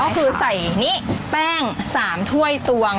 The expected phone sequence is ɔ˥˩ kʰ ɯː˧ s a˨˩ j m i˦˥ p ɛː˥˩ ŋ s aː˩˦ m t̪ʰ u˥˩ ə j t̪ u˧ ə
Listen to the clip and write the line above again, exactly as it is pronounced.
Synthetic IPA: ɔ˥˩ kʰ ɯː˧ s a˨˩ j n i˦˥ p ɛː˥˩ ŋ s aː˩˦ m t̪ʰ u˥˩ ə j t̪ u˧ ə